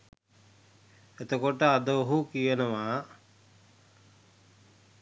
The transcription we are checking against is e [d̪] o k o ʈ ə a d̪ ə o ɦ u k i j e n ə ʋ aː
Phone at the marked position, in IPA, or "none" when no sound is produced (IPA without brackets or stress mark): t̪